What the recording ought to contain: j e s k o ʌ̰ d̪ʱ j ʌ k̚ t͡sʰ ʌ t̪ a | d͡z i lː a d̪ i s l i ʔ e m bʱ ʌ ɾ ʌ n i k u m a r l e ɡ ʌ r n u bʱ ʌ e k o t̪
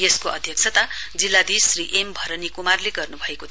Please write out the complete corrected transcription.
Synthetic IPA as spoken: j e s k o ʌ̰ d̪ʱ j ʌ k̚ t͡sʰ ʌ t̪ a | d͡z i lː a d̪ i s r i ʔ e m bʱ ʌ ɾ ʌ n i k u m a r l e ɡ ʌ r n u bʱ ʌ e k o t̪